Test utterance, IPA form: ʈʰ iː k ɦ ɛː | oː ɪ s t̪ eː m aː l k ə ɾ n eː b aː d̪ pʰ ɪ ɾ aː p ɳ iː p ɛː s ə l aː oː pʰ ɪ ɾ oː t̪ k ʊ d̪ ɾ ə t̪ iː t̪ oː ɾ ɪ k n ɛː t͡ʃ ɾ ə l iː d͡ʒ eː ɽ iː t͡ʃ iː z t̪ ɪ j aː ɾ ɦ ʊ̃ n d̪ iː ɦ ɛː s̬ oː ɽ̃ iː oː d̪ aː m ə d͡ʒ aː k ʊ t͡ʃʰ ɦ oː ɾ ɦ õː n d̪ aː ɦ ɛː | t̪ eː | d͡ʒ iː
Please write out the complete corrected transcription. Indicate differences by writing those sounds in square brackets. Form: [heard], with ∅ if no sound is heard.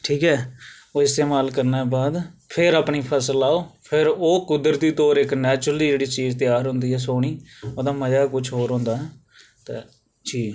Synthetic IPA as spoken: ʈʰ iː k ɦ ɛː | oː ɪ s t̪ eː m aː l k ə ɾ n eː b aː d̪ pʰ ɪ ɾ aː p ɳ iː [pʰ] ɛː s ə l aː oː pʰ ɪ ɾ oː [∅] k ʊ d̪ ɾ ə t̪ iː t̪ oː ɾ ɪ k n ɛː t͡ʃ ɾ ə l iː d͡ʒ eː ɽ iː t͡ʃ iː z t̪ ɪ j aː ɾ ɦ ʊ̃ n d̪ iː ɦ ɛː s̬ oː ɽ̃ iː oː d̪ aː m ə d͡ʒ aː k ʊ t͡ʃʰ ɦ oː ɾ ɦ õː n d̪ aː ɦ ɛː | t̪ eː | d͡ʒ iː